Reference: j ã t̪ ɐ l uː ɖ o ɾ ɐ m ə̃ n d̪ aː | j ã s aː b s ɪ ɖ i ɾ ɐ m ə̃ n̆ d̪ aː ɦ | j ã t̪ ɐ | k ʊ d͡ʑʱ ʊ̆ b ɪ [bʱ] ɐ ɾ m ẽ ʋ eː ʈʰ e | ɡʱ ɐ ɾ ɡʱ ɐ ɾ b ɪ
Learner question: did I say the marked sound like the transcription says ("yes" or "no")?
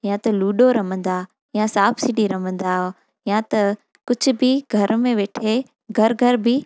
no